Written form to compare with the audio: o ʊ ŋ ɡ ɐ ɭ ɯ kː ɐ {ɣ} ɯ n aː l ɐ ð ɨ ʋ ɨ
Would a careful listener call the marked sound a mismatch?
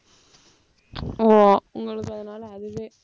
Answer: yes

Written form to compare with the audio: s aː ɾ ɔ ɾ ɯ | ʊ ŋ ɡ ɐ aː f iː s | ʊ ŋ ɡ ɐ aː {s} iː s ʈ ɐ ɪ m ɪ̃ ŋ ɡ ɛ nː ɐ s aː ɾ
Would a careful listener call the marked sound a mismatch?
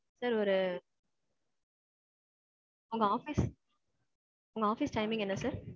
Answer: yes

